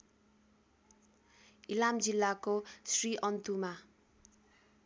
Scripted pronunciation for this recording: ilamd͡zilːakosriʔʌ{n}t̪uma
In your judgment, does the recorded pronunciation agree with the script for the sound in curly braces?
yes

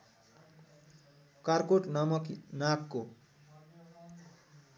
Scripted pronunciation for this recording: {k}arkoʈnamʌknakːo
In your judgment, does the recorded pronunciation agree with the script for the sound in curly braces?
yes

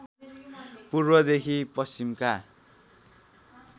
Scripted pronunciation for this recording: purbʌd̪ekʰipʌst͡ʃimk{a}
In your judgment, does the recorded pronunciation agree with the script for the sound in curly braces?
yes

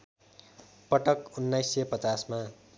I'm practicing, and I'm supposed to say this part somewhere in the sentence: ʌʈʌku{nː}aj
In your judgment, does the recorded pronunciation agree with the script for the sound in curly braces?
yes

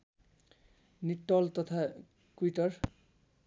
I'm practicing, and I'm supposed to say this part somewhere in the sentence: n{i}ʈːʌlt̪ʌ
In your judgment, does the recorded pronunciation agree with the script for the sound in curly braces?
yes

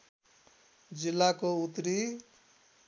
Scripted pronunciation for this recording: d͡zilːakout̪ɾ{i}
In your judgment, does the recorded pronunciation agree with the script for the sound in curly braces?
yes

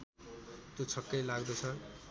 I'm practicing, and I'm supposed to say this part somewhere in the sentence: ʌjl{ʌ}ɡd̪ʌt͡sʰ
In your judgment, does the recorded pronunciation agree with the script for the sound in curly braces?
no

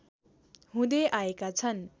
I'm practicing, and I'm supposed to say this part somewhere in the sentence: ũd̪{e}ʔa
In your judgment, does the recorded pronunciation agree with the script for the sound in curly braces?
yes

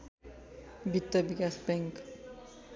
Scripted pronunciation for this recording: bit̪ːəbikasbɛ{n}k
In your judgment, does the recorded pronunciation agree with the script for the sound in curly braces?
no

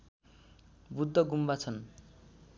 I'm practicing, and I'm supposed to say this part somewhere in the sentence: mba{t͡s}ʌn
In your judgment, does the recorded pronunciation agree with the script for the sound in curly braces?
no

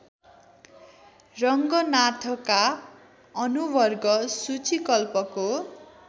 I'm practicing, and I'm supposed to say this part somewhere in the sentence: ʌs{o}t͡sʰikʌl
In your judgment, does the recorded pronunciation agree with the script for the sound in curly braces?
no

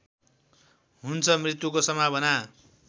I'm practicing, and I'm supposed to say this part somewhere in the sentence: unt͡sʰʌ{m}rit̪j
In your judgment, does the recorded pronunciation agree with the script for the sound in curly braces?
yes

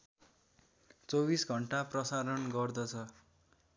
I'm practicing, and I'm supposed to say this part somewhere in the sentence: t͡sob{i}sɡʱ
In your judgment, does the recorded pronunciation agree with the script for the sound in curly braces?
yes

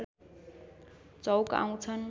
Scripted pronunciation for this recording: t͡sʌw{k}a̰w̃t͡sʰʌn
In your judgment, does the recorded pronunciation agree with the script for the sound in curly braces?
yes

